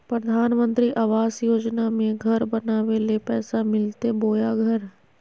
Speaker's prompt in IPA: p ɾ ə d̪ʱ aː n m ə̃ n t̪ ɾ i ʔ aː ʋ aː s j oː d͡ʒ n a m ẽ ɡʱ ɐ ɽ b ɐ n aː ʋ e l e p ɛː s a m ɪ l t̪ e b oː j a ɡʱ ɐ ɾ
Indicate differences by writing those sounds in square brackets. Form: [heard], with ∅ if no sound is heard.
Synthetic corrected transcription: p ɾ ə d̪ʱ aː n m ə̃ n t̪ ɾ i ʔ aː ʋ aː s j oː d͡ʒ n a m ẽ ɡʱ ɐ [ɾ] b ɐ n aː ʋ e l e p ɛː s a m ɪ l t̪ e b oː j a ɡʱ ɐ ɾ